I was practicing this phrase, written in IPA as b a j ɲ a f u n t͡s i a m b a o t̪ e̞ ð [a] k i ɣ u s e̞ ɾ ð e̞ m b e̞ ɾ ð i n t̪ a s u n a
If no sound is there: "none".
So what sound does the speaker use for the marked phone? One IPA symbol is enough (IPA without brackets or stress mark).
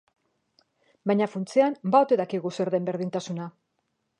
a